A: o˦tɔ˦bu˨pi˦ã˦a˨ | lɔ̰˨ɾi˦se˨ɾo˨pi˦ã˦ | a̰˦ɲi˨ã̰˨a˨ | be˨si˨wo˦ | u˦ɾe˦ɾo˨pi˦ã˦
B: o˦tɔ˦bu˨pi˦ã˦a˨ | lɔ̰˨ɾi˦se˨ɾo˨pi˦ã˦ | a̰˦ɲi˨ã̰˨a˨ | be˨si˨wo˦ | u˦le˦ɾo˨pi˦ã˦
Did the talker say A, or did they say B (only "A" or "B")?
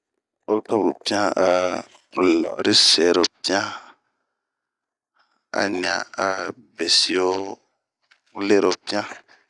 B